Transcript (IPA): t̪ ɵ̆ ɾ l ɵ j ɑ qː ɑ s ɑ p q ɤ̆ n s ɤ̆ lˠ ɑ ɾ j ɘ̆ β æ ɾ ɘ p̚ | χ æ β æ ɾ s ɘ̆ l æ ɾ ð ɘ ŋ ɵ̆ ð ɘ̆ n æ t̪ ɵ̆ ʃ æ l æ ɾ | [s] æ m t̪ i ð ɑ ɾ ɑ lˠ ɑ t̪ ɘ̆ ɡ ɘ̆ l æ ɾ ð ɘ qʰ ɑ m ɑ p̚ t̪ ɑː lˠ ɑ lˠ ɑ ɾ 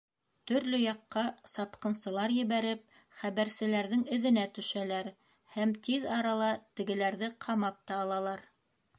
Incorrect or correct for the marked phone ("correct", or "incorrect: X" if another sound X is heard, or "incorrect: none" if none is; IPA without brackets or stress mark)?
incorrect: h